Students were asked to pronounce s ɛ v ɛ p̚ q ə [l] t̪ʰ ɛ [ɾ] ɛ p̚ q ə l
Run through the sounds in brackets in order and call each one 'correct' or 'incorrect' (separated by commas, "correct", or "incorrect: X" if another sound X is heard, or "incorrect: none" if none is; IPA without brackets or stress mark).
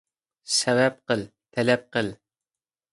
correct, incorrect: l